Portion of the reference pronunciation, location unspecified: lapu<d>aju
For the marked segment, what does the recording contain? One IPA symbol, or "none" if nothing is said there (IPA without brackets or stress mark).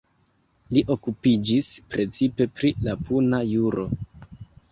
n